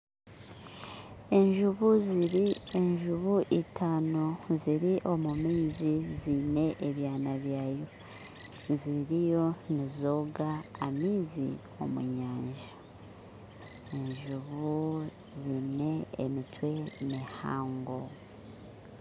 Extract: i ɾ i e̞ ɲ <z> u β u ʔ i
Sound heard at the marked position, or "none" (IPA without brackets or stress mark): ʒ